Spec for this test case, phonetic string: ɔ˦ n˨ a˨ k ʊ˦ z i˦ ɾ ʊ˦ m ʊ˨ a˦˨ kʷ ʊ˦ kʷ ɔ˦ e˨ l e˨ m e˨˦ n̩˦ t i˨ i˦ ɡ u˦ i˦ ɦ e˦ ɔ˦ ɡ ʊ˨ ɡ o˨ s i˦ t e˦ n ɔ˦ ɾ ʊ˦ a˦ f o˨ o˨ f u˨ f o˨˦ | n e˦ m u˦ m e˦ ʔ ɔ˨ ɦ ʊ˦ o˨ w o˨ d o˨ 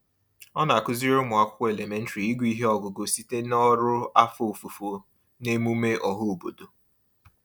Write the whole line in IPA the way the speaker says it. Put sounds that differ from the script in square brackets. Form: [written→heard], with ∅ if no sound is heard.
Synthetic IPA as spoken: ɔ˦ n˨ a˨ k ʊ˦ z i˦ ɾ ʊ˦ m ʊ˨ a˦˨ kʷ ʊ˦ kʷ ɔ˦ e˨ l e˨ m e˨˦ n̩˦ t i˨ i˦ ɡ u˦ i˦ ɦ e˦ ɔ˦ ɡ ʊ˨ ɡ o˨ s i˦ t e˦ n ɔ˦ ɾ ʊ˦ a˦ f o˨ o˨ f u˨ f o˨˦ | n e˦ m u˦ m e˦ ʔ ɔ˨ ɦ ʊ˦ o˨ [w→b] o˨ d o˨